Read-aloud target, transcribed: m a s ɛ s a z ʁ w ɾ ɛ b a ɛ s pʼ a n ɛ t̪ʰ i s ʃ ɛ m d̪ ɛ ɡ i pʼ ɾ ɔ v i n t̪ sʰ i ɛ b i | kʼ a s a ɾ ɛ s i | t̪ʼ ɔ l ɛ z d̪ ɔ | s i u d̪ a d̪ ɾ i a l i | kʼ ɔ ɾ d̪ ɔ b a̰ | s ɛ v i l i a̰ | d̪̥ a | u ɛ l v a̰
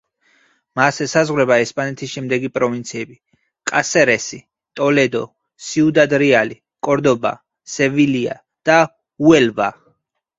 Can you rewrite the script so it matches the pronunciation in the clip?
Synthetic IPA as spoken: m a s ɛ s a z ʁ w ɾ ɛ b a ɛ s pʼ a n ɛ t̪ʰ i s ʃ ɛ m d̪ ɛ ɡ i pʼ ɾ ɔ v i n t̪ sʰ i ɛ b i | kʼ a s ɛ ɾ ɛ s i | t̪ʼ ɔ l ɛ d̪ ɔ | s i u d̪ a d̪ ɾ i a l i | kʼ ɔ ɾ d̪ ɔ b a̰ | s ɛ v i l i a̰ | d̪̥ a | u ɛ l v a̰

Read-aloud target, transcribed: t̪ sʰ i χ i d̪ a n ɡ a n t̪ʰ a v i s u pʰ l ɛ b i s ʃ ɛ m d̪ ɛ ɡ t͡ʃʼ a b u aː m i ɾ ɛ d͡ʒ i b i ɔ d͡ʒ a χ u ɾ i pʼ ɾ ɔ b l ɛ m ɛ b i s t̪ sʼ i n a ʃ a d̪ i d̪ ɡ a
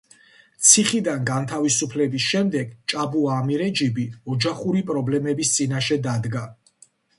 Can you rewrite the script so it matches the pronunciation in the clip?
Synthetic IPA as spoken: t̪ sʰ i χ i d̪ a n ɡ a n t̪ʰ a v i s u pʰ l ɛ b i s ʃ ɛ m d̪ ɛ ɡ t͡ʃʼ a b u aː m i ɾ ɛ d͡ʒ i b i ɔ d͡ʒ a χ u ɾ i pʼ ɾ ɔ b l ɛ m ɛ b i s t̪ sʼ i n a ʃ ɛ d̪ a d̪ ɡ a

